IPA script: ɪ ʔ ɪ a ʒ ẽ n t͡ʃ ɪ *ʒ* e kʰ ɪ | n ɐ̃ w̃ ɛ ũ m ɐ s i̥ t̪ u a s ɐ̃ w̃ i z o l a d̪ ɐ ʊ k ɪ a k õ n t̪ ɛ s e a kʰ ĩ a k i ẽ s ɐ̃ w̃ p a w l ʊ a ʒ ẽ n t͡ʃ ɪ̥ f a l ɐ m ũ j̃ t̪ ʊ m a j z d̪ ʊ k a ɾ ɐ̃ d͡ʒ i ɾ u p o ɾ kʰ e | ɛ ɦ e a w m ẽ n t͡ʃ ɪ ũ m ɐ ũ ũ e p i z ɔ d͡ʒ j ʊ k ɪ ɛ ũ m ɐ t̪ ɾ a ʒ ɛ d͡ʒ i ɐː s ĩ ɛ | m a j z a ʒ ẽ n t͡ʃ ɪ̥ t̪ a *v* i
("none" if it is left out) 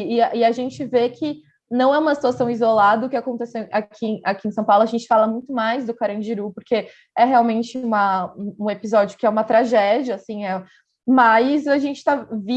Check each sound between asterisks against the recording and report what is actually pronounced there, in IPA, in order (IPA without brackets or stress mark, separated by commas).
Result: v, v